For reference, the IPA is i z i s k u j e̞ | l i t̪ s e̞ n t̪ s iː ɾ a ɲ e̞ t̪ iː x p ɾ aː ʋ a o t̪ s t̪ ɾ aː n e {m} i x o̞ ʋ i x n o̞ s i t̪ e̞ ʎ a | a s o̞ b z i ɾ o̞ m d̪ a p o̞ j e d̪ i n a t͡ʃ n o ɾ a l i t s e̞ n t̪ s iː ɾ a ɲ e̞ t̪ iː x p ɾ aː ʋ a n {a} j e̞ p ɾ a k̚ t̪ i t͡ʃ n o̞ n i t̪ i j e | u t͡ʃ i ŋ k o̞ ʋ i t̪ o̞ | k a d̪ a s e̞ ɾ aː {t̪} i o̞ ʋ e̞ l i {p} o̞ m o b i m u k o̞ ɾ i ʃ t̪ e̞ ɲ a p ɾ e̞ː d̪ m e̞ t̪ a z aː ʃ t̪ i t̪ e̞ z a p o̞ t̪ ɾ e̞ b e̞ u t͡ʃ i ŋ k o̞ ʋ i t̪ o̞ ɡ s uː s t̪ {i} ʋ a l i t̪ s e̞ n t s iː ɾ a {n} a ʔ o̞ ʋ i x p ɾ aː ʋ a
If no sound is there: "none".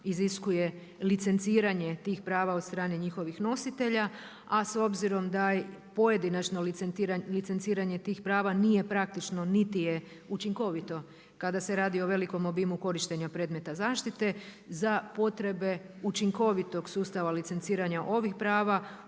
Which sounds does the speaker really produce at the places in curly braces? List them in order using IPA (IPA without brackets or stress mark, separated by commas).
ɲ, i, d̪, k, a, ɲ